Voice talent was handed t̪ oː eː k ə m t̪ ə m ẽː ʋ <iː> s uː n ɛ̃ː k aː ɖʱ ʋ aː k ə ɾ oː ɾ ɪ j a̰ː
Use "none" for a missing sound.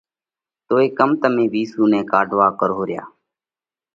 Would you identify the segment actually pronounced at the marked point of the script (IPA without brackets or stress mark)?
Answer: iː